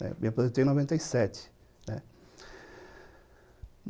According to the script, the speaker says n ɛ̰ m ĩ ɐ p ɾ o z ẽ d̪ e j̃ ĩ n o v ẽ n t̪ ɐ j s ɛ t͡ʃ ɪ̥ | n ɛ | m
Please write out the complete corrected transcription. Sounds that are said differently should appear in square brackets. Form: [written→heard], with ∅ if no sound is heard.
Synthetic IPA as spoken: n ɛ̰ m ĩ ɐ p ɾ o z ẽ [d̪→t̪] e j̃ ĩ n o v ẽ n t̪ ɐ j s ɛ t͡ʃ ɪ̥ | n ɛ | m